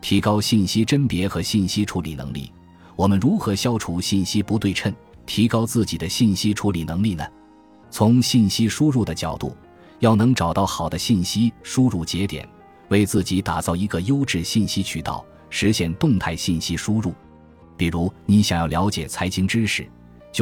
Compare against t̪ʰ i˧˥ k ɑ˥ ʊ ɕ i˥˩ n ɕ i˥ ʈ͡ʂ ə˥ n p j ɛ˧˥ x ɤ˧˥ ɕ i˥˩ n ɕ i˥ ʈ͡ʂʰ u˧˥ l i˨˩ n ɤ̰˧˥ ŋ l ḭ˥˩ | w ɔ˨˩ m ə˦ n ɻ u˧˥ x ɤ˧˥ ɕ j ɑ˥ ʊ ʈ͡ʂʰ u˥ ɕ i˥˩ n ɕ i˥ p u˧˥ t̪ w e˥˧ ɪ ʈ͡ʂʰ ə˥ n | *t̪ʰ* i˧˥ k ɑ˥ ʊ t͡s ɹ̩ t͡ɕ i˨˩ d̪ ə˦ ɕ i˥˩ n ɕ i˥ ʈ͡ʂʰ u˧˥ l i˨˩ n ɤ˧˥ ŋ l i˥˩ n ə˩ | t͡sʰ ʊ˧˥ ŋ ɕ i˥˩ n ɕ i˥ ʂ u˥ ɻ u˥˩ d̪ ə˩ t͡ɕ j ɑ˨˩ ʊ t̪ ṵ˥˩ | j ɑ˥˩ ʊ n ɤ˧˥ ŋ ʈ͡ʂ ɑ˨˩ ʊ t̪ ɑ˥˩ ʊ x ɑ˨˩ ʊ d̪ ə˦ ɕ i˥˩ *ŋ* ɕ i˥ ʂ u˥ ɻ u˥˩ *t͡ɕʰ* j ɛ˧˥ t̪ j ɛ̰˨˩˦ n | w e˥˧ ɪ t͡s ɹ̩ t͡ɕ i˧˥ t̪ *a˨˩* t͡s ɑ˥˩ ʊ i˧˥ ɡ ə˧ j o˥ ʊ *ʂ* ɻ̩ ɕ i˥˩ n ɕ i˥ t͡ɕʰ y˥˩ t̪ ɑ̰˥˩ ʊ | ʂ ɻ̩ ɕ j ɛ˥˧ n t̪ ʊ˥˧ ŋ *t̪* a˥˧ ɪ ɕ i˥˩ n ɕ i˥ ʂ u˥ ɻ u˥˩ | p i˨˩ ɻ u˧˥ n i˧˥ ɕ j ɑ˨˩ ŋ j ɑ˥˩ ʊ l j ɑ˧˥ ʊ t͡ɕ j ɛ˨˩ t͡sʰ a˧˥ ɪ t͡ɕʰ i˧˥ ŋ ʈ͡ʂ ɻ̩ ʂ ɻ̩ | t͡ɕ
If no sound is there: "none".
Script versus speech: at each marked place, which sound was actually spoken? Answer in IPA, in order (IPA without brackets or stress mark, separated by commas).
t̪ʰ, n, t͡ɕ, a˨˩, ʈ͡ʂ, t̪ʰ